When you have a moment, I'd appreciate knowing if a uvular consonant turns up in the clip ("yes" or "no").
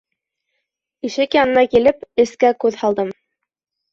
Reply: no